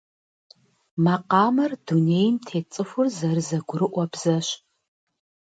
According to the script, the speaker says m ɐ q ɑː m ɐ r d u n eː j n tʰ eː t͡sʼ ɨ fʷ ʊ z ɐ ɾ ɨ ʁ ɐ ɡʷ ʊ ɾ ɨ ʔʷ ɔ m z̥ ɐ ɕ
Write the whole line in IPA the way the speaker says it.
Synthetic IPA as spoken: m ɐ q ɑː m ɐ r d u n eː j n tʰ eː t͡sʼ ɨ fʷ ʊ z ɐ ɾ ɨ z ɐ ɡʷ ʊ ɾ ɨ ʔʷ ɔ b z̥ ɐ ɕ